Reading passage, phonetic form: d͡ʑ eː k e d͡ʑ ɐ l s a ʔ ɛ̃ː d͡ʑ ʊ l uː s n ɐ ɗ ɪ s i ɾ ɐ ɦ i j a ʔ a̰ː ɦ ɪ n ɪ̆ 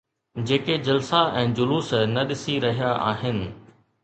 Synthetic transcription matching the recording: d͡ʑ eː k e d͡ʑ ɐ l s a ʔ ɛ̃ː d͡ʑ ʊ l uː s n ɐ ɗ ɪ s i ɾ ɐ ɦ i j a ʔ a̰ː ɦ ɪ n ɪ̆